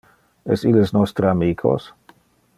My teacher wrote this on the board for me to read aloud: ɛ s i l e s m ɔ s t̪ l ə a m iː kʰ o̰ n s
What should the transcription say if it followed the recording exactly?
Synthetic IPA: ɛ s i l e s n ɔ s t̪ ɾ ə a m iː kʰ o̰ s

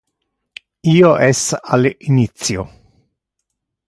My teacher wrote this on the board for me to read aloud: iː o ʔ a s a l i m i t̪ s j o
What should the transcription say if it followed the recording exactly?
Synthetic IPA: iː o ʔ ɛ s a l i n i t̪ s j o

